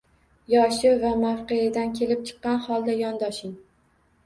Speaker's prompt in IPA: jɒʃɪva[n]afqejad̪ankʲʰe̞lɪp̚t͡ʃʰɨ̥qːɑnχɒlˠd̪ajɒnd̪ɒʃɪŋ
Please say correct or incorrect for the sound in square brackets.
incorrect